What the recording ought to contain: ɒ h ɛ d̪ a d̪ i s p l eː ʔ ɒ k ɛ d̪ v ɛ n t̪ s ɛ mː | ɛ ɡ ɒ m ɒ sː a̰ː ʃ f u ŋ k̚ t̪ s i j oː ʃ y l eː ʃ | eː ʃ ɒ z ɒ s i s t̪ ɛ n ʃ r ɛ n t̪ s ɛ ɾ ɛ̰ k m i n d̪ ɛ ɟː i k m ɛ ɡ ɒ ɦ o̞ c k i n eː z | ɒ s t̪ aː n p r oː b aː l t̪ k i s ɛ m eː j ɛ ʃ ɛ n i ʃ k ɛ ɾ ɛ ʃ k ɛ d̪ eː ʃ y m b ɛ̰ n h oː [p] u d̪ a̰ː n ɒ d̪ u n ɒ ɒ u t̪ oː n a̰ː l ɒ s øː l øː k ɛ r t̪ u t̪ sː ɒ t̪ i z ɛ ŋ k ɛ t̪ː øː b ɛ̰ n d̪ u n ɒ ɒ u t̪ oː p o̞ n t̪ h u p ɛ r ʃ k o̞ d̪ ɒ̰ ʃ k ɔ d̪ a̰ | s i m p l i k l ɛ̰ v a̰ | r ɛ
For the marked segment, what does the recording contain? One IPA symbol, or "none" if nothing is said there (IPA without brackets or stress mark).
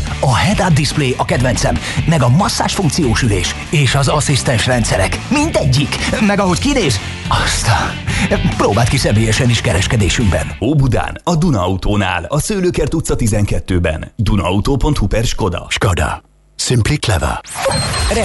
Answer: b